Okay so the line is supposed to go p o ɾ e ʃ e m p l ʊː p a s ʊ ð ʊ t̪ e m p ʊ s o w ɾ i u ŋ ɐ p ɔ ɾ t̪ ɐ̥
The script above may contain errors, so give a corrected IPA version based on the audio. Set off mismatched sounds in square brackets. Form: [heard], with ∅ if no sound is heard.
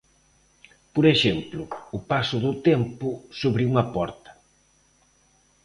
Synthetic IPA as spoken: p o ɾ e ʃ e m p l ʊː p a s ʊ ð ʊ t̪ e m p ʊ s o [β] ɾ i u ŋ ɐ p ɔ ɾ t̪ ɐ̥